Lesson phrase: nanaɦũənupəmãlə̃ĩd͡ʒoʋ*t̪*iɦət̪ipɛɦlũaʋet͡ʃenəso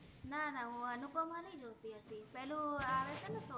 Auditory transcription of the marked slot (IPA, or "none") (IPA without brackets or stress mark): t̪